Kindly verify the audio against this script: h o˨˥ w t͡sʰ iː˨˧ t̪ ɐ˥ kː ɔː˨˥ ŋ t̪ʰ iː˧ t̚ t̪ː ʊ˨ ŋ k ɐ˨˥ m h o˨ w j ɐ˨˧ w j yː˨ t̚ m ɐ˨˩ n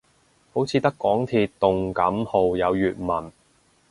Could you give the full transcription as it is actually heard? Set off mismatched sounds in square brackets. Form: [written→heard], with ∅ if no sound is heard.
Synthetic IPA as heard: h o˨˥ w t͡sʰ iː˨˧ t̪ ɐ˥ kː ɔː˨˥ ŋ t̪ʰ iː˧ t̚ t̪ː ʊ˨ ŋ k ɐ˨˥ m h o˨ w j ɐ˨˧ w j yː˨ t̚ m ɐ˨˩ n